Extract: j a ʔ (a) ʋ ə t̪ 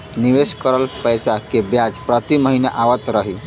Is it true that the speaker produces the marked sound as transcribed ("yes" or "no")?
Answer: yes